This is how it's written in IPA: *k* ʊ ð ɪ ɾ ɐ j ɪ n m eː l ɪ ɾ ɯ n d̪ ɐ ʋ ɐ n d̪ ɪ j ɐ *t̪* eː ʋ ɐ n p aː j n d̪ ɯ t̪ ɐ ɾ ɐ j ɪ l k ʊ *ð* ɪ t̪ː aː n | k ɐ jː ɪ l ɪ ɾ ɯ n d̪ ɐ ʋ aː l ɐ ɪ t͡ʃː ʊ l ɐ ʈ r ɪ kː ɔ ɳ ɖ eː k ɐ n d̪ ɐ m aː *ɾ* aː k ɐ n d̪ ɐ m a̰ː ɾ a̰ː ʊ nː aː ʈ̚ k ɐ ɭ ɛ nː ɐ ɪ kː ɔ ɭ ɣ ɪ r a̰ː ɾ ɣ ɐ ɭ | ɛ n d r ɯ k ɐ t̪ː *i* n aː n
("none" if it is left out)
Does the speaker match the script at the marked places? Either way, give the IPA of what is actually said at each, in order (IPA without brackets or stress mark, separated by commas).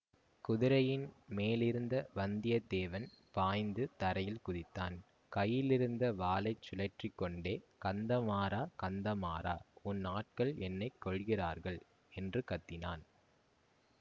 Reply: k, d̪, ð, ɾ, ɪ